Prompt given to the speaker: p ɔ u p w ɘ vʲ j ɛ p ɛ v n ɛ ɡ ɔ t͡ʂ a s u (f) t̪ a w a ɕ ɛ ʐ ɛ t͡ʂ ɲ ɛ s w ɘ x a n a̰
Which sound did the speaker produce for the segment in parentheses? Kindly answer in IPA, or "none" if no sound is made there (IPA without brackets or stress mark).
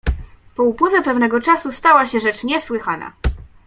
s